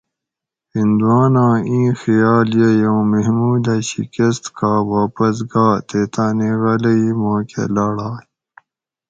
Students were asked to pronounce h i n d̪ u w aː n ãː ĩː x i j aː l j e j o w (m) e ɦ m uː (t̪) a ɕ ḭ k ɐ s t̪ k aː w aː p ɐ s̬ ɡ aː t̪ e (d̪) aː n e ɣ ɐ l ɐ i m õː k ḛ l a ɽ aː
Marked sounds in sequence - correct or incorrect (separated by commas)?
correct, incorrect, incorrect